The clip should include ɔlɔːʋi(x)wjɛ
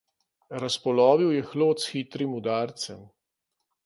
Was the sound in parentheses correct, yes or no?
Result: no